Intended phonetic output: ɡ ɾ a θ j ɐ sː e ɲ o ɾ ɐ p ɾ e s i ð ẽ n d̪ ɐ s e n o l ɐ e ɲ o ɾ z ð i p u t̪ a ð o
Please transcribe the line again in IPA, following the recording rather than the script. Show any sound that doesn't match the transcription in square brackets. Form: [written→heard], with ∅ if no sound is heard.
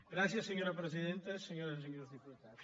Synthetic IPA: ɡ ɾ a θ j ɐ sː e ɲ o ɾ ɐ p ɾ e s i ð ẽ n [d̪→t̪] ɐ s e [n→ɲ] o [l→ɾ] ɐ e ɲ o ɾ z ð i p u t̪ a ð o